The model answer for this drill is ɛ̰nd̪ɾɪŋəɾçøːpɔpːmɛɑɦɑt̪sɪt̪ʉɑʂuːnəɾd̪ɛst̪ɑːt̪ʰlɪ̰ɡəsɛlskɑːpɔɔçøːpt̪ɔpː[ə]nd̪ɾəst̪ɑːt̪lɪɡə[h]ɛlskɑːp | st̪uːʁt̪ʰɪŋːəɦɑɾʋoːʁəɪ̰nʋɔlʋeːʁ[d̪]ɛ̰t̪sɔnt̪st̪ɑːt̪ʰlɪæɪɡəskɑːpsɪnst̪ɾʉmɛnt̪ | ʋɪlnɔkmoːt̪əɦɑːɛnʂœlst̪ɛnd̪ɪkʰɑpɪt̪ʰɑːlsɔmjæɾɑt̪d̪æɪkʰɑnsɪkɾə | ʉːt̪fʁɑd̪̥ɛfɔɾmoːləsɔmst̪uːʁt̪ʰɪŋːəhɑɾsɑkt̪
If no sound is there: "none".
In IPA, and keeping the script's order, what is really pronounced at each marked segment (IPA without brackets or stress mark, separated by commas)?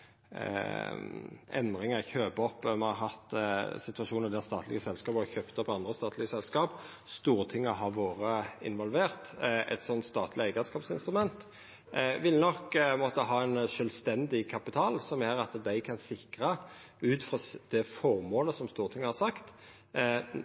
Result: ɑ, s, t̪